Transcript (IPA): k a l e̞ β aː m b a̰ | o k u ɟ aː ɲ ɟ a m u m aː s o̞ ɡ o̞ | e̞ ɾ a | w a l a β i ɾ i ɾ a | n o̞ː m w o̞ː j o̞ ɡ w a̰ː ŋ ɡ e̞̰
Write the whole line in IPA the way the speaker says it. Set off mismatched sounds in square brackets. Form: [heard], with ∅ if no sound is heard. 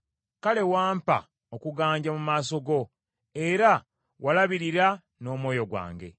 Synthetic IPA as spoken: k a l e̞ [w] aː m [p] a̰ | o k u [ɡ] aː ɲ ɟ a m u m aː s o̞ ɡ o̞ | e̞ ɾ a | w a l a β i ɾ i ɾ a | n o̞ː m w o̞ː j o̞ ɡ w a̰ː ŋ ɡ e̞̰